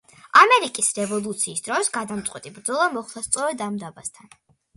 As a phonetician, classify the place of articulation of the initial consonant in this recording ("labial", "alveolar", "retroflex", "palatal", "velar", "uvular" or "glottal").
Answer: labial